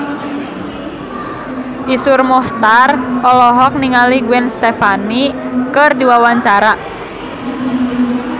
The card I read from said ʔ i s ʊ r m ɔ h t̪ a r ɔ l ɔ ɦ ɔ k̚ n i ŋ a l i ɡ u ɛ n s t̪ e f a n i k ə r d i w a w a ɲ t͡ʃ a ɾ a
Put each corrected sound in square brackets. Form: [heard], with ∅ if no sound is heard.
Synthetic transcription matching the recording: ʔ i s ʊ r m ɔ h t̪ a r ɔ l ɔ ɦ ɔ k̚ n i ŋ a l i ɡ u ɛ n s t̪ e f a n i k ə r d i w a w a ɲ t͡ʃ a ɾ a